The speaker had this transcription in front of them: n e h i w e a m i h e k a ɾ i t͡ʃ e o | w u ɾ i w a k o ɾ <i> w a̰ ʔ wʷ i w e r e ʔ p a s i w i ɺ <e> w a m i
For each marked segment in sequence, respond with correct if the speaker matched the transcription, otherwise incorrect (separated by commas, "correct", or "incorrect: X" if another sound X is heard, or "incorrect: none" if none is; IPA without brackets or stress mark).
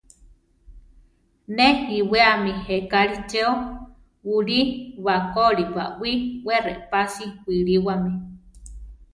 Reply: correct, incorrect: i